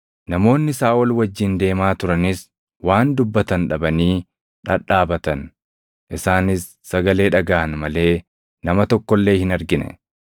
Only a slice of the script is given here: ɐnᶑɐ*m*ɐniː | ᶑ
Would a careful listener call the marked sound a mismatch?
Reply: yes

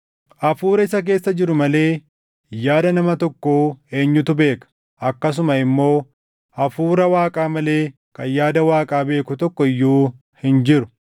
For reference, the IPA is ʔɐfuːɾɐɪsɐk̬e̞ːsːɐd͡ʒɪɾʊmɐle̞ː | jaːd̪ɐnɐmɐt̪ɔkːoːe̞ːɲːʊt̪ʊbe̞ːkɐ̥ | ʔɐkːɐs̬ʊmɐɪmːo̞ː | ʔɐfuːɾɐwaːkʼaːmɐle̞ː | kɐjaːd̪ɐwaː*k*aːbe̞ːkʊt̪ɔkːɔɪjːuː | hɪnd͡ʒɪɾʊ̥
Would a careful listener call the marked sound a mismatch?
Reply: yes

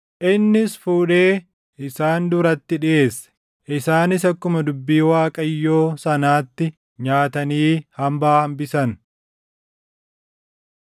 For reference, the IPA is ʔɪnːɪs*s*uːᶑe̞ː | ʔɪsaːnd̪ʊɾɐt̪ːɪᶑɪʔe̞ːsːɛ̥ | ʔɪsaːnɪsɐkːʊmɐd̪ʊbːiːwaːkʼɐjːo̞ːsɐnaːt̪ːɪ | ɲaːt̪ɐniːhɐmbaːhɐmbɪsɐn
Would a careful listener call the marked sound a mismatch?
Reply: yes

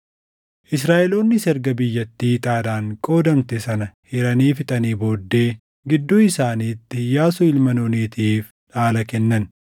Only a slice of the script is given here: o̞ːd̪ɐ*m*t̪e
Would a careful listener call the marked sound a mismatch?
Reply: no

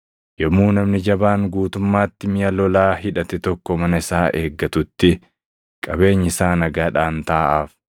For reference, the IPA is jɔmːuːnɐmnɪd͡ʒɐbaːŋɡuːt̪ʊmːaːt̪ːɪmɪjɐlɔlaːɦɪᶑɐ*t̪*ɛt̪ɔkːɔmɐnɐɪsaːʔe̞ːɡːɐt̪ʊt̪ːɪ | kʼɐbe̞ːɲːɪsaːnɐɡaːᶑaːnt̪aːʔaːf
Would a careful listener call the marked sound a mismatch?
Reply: no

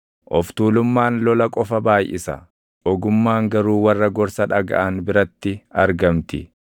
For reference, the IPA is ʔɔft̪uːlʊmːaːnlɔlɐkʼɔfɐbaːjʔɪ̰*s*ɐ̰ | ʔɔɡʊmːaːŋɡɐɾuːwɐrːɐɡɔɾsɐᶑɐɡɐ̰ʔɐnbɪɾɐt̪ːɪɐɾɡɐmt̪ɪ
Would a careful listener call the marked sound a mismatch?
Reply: no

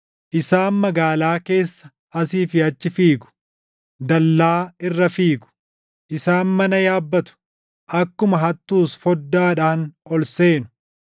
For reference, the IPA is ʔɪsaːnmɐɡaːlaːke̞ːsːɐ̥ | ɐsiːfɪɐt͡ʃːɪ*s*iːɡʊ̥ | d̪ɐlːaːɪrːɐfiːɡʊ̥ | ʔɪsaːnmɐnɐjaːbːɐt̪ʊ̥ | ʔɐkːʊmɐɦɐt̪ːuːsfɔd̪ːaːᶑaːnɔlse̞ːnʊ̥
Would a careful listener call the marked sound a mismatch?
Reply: yes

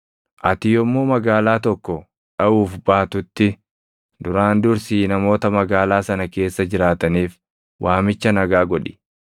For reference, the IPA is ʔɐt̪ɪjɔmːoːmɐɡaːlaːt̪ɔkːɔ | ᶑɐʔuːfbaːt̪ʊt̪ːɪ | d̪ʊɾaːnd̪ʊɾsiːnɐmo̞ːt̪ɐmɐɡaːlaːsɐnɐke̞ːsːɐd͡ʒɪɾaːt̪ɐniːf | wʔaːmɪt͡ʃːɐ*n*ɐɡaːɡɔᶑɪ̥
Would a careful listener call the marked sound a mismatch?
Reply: no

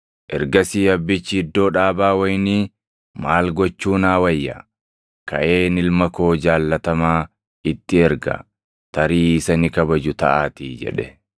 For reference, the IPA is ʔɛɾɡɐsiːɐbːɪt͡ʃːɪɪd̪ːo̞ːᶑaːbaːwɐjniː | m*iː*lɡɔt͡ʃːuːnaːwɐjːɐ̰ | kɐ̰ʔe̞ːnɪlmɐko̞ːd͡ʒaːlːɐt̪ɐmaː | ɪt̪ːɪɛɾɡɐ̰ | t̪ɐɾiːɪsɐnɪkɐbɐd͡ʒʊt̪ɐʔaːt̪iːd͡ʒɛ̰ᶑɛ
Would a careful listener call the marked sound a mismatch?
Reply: yes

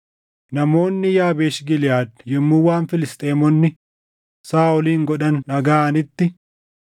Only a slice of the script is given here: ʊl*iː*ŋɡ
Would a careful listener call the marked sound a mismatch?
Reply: no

